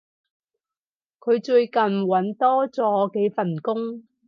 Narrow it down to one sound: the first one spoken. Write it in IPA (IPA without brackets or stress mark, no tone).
kʰ